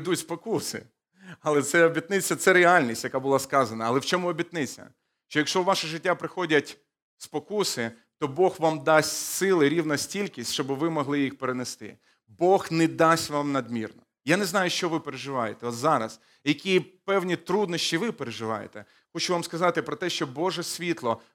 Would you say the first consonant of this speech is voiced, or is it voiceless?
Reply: voiced